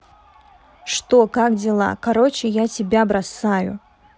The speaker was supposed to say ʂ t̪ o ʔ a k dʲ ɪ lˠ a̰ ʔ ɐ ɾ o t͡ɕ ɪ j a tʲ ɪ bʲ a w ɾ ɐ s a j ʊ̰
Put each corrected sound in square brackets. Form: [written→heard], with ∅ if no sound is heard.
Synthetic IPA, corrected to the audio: ʂ t̪ o [ʔ→k] a k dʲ ɪ lˠ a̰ [ʔ→k] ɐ ɾ o t͡ɕ ɪ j a tʲ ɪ bʲ a [w→b] ɾ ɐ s a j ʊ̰